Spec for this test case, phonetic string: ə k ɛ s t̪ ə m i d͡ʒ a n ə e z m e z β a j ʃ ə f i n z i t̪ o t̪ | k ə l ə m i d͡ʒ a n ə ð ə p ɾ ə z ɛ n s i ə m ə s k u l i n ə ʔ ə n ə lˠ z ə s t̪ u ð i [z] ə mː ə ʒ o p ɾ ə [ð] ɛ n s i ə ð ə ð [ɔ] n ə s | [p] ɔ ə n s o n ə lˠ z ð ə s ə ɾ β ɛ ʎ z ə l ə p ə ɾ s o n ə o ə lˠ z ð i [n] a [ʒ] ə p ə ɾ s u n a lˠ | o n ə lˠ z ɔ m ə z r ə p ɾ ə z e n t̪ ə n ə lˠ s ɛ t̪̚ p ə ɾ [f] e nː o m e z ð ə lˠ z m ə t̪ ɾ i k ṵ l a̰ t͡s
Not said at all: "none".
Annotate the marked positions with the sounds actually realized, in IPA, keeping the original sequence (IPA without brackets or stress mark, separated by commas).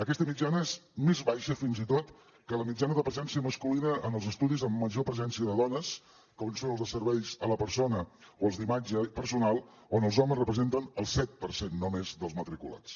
z, z, ɔ, k, m, d͡ʒ, s